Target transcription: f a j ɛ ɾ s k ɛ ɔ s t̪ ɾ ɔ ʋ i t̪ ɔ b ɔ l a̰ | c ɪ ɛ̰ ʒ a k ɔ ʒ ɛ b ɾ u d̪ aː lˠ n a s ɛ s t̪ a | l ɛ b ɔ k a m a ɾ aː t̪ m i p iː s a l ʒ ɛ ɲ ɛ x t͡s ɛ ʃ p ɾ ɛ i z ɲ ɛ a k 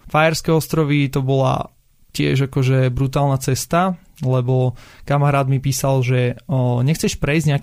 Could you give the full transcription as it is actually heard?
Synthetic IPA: f a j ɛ ɾ s k ɛ ɔ s t̪ ɾ ɔ ʋ i t̪ ɔ b ɔ l a̰ | c ɪ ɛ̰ ʒ a k ɔ ʒ ɛ b ɾ u t̪ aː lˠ n a t͡s ɛ s t̪ a | l ɛ b ɔ k a m a ɾ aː d̪ m i p iː s a l ʒ ɛ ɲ ɛ x t͡s ɛ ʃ p ɾ ɛ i z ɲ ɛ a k